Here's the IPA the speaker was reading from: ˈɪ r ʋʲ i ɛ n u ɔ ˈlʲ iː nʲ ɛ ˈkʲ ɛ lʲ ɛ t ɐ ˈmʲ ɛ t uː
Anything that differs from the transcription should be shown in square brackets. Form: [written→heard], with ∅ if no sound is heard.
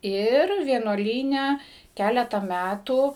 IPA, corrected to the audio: ˈɪ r ʋʲ i ɛ n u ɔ ˈlʲ iː nʲ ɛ ˈkʲ [ɛ→æ] lʲ ɛ t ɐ ˈmʲ [ɛ→æ] t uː